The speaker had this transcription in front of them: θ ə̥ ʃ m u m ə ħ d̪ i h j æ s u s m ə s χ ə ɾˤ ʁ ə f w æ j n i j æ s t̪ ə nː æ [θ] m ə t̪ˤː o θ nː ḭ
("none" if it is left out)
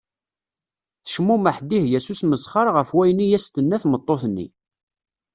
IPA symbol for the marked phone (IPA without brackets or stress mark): θ